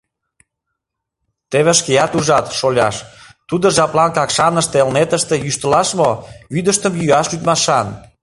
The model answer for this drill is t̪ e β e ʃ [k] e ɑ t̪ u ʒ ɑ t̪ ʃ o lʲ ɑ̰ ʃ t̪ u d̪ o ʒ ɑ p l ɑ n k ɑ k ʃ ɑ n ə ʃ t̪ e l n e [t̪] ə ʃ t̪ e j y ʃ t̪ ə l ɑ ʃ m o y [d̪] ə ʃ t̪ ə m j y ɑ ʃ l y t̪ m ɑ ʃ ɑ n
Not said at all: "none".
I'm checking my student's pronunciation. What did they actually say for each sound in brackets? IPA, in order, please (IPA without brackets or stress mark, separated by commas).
k, t̪, d̪